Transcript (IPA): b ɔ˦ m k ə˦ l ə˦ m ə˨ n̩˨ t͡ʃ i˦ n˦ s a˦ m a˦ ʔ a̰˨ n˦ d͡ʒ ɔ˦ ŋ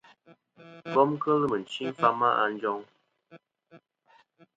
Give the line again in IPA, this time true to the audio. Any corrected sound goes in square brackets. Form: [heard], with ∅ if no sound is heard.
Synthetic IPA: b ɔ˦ m k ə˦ l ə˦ m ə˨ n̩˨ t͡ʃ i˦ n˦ [f] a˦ m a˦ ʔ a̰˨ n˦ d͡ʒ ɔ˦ ŋ

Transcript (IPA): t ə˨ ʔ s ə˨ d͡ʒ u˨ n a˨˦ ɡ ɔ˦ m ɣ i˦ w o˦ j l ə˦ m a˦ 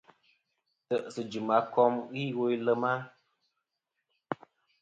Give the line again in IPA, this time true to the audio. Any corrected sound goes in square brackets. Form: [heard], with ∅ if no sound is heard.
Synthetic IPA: t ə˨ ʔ s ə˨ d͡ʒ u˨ [m] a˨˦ [k] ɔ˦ m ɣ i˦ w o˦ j l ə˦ m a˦

